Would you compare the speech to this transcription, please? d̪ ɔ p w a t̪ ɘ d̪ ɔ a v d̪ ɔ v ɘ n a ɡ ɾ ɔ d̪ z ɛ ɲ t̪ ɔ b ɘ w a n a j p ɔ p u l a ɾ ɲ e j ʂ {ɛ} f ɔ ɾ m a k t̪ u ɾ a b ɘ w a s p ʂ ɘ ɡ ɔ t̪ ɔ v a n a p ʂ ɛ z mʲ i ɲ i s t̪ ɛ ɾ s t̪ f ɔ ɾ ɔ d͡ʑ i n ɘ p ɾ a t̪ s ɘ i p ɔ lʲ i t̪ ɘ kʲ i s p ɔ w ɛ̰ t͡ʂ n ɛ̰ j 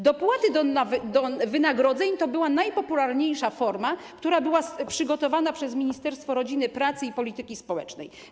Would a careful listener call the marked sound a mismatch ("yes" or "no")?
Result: yes